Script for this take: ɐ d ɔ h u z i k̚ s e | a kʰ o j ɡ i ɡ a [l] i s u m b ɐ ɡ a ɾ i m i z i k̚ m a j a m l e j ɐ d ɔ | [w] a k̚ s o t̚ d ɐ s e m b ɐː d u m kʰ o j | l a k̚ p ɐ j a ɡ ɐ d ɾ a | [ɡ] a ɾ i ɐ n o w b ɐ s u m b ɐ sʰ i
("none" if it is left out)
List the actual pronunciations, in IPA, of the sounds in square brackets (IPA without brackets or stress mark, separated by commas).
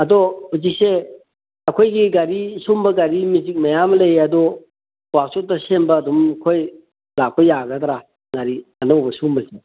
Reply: ɾ, w, ŋ